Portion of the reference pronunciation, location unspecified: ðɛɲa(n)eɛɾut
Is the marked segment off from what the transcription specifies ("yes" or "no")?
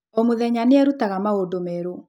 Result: no